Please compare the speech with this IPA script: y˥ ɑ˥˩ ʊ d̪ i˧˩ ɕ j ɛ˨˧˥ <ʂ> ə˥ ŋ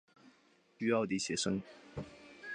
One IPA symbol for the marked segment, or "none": ʂ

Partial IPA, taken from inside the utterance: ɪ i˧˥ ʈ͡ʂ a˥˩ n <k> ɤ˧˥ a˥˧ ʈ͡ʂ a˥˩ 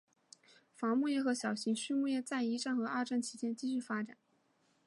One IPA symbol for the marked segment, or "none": x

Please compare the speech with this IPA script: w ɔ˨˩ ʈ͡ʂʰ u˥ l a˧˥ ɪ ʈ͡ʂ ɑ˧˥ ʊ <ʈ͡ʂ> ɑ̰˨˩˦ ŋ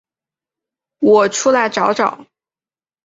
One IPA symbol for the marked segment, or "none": ʈ͡ʂ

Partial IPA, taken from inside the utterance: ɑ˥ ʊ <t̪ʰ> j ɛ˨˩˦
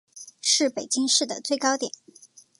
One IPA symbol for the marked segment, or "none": t̪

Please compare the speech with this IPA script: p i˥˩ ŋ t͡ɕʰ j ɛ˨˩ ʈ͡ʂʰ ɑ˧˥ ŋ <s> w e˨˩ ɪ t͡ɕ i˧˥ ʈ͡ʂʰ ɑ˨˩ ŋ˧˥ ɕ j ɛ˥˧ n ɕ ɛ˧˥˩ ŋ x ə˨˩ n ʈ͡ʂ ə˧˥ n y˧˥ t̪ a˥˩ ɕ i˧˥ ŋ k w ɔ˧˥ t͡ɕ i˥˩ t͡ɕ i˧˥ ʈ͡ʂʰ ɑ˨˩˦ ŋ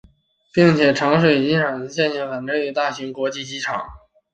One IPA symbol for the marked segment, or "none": ʂ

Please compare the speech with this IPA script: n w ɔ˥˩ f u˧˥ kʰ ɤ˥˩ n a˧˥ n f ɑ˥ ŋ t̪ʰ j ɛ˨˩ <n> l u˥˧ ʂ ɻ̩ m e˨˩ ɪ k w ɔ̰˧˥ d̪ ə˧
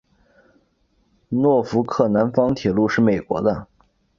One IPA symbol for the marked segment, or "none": none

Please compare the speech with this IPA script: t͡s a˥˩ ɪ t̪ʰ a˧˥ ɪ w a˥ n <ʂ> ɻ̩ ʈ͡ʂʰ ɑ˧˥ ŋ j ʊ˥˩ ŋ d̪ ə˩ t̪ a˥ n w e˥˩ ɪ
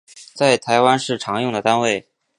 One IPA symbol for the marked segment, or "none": ʂ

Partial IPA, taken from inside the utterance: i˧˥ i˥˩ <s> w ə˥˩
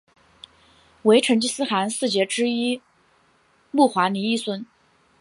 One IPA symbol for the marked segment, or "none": s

